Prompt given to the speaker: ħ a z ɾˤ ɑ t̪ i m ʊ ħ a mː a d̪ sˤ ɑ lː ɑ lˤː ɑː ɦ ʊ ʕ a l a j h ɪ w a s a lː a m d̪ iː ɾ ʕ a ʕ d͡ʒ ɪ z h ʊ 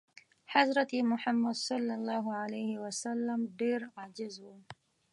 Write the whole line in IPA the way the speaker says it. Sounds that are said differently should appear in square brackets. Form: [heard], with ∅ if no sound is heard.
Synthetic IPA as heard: ħ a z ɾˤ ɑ t̪ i m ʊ ħ a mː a d̪ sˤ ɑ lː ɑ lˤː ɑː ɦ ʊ ʕ a l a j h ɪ w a s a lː a m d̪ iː ɾ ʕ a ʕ d͡ʒ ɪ z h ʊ